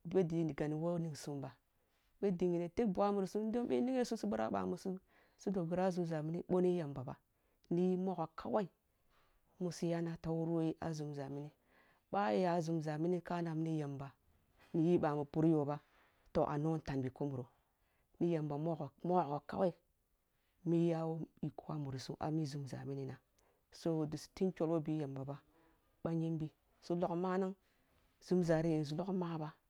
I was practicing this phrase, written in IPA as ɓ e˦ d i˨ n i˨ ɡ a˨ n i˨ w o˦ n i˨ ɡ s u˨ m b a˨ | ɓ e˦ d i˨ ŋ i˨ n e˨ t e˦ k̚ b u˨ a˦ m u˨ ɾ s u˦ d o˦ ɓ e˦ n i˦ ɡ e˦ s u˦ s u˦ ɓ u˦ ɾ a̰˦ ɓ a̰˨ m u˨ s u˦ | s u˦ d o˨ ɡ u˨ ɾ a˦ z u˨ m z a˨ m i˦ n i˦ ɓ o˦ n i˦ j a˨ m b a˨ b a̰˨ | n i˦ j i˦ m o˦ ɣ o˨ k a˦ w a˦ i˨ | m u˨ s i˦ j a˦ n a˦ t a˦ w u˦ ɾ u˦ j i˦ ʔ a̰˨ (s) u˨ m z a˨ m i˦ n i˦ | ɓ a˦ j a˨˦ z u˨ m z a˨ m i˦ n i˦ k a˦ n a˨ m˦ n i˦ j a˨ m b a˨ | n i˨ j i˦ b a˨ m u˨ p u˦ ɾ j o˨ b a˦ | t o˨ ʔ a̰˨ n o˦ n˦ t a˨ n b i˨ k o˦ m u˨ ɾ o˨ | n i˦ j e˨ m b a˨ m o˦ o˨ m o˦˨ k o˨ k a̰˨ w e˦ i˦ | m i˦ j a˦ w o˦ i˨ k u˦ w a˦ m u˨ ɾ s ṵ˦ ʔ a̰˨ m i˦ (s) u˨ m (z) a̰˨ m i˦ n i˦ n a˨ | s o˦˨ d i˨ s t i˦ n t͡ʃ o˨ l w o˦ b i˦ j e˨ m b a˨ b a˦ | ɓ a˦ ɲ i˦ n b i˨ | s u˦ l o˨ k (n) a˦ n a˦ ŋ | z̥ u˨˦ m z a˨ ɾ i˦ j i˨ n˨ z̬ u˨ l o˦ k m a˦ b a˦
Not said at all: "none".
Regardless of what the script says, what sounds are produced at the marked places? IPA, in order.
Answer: z, z, z, m

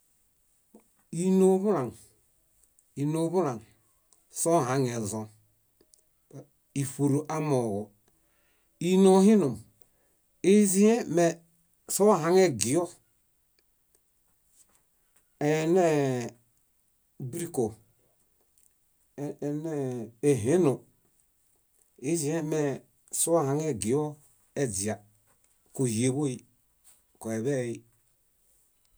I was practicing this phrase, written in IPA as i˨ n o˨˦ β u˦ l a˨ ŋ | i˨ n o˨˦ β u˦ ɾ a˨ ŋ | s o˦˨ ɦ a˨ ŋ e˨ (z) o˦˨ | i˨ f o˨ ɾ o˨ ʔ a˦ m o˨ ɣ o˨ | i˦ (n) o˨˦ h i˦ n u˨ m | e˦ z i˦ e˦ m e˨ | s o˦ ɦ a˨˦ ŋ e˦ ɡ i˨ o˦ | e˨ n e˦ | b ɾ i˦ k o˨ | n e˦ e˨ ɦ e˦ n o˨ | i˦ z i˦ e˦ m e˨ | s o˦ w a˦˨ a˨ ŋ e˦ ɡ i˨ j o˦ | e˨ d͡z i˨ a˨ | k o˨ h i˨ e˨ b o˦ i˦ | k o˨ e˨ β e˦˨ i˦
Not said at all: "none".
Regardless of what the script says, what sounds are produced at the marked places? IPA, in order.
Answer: z, n

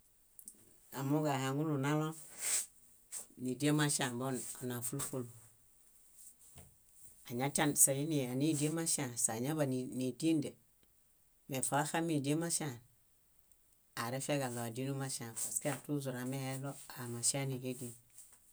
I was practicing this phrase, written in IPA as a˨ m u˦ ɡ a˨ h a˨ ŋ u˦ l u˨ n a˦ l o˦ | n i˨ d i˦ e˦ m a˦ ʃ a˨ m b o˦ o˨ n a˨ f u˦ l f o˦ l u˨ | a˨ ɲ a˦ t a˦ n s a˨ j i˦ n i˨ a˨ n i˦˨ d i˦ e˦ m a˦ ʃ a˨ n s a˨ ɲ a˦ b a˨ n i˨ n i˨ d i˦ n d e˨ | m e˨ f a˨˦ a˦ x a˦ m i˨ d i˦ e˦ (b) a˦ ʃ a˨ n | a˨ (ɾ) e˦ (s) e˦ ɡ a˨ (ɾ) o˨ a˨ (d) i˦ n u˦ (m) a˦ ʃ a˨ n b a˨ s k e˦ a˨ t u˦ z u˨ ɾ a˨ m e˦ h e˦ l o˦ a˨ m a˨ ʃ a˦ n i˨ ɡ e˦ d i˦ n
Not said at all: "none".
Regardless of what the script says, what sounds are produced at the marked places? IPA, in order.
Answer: m, ɾ, f, l, d, m

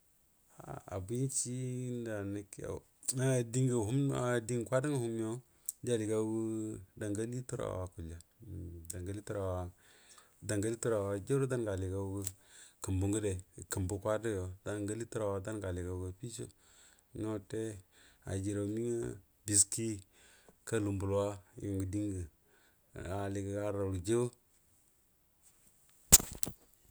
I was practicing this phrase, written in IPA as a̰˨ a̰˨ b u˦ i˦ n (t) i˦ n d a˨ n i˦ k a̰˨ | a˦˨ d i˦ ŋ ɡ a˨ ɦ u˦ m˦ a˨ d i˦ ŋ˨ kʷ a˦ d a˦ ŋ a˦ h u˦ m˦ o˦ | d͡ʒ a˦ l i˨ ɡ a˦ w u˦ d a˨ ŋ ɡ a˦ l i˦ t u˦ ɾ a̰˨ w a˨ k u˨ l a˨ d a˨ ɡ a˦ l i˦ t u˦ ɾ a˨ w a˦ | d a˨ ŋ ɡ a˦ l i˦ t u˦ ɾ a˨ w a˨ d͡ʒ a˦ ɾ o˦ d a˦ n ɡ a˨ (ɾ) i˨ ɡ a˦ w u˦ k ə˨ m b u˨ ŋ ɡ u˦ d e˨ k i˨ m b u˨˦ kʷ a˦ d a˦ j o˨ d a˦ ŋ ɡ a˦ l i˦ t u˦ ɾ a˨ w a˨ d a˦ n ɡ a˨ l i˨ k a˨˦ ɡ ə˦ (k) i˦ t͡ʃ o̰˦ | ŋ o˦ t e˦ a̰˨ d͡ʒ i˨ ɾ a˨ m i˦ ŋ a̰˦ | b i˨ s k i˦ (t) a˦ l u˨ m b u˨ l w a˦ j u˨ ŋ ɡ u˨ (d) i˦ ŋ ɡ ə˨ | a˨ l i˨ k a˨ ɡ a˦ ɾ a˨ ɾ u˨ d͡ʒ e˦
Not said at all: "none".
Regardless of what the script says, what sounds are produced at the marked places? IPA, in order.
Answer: t͡ʃ, l, p, k, d

